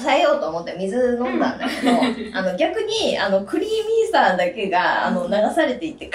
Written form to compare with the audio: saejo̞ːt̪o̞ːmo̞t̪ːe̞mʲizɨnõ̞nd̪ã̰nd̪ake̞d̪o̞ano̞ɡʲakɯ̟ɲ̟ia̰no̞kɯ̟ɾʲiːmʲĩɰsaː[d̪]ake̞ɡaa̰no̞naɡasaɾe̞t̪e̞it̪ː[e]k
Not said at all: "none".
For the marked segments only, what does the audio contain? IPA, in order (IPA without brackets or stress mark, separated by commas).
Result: d̪, e